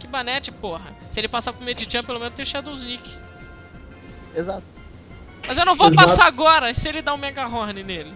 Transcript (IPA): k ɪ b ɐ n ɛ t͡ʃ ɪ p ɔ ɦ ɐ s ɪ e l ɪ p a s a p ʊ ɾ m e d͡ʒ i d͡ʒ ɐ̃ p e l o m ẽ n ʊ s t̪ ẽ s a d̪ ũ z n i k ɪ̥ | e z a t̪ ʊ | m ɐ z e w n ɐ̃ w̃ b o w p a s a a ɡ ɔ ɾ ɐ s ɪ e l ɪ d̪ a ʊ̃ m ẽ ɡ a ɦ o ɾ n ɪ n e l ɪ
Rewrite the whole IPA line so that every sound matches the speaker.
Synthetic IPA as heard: k ɪ b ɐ n ɛ t͡ʃ ɪ p o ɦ ɐ s ɪ e l ɪ p a s a p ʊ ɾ m e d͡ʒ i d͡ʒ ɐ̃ p e l o m ẽ n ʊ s t̪ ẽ ʃ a d̪ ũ z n i k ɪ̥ | e z a t̪ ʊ | m ɐ z e w n ɐ̃ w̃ v o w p a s a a ɡ ɔ ɾ ɐ s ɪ e l ɪ d̪ a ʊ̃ m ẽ ɡ a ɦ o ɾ n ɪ n e l ɪ